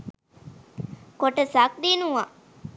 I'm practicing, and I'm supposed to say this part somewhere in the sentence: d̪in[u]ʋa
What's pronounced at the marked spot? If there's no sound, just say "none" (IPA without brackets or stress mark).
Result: u